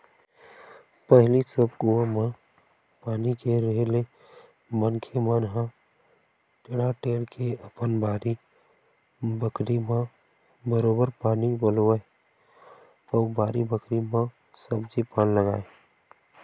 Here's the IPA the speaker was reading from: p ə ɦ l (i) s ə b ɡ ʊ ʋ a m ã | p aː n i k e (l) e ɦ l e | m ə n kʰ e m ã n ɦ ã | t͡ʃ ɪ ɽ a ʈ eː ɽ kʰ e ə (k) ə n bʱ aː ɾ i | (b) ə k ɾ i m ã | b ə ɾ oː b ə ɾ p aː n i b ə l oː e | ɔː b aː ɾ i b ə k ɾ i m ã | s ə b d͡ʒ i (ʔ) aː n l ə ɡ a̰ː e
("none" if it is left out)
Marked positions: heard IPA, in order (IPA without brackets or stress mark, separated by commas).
i, ɾ, p, b, p